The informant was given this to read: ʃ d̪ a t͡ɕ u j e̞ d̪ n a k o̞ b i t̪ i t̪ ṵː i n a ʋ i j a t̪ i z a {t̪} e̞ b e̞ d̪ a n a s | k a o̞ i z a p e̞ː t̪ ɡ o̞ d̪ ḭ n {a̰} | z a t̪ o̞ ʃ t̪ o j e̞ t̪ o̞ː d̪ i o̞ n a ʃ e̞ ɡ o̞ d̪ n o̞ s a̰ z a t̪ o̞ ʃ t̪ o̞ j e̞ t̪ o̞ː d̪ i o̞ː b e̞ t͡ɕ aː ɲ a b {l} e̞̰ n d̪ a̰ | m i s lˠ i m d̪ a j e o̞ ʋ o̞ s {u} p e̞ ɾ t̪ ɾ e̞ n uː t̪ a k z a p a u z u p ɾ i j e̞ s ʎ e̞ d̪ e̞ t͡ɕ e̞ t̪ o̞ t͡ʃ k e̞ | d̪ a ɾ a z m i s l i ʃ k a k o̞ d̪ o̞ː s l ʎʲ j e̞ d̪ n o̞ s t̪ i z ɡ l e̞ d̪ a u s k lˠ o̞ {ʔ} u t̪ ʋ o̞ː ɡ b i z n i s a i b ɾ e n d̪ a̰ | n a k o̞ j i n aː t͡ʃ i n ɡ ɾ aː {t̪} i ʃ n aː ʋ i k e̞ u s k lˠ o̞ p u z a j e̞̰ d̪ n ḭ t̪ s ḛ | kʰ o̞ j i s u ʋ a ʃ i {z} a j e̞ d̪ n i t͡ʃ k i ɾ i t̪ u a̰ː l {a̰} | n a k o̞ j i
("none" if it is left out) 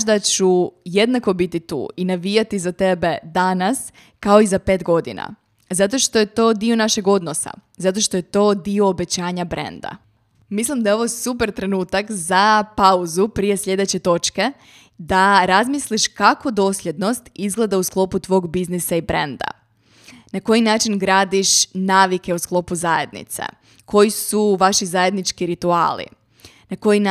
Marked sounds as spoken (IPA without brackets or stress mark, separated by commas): t̪, a̰, ɾ, u, p, d̪, z, ḭ